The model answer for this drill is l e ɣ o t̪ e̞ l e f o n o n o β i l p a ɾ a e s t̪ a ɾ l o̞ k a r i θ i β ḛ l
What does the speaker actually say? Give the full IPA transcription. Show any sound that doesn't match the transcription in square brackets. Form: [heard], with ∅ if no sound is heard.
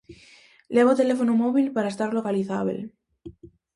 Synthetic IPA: l e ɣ o t̪ e̞ l e f o n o [m] o β i l p a ɾ a e s t̪ a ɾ l o̞ k a [l] i θ [a] β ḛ l